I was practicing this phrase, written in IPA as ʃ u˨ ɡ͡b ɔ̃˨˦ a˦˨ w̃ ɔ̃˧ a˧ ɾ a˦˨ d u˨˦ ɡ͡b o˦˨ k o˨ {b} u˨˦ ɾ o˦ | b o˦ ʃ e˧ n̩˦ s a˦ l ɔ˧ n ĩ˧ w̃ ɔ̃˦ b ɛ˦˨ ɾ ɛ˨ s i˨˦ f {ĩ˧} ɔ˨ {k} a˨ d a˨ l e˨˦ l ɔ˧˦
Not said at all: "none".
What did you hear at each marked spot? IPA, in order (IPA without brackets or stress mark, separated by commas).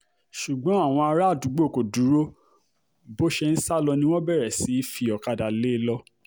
d, i˧, k